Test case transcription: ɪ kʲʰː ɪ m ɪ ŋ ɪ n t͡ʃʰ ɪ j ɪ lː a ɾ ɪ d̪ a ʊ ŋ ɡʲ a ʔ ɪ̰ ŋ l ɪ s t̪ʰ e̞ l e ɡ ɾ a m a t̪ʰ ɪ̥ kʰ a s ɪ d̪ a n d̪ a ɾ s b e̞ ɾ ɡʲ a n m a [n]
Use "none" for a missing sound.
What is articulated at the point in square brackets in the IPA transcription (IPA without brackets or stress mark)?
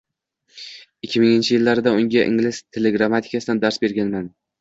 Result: n